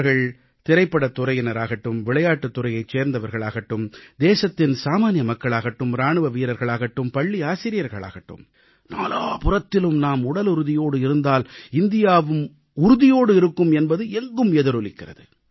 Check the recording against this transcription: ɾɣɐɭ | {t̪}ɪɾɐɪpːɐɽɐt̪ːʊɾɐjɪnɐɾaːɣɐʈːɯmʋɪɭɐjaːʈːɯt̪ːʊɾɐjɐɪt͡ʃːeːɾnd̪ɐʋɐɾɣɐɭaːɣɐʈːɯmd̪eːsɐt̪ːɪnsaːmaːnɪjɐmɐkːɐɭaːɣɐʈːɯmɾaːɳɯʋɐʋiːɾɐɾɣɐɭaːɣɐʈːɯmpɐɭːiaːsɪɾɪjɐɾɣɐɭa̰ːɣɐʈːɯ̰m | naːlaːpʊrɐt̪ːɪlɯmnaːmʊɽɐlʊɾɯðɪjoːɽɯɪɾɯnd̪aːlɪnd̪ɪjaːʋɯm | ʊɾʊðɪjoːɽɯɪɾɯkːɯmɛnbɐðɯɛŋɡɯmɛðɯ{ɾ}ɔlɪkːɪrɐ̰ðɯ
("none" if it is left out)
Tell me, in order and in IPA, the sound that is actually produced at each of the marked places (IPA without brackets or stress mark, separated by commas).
t̪, ɾ